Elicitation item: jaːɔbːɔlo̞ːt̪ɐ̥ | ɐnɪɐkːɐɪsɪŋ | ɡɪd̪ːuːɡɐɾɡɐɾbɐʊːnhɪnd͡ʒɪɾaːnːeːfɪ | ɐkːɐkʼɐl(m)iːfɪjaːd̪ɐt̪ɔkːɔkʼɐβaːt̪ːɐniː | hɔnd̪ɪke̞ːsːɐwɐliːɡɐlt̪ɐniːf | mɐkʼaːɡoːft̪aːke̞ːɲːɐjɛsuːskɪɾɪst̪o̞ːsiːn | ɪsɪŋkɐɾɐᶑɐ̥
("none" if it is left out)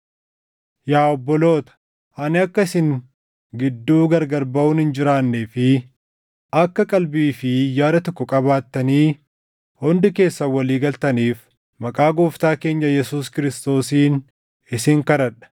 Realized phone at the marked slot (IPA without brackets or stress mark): b